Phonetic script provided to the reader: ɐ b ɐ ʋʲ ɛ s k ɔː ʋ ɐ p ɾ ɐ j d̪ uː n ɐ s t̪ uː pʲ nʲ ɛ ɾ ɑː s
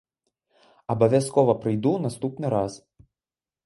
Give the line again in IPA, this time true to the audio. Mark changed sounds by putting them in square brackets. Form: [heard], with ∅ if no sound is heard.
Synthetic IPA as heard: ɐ b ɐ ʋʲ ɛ s k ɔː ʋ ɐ p ɾ ɐ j d̪ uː n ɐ s t̪ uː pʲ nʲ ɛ ɾ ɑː s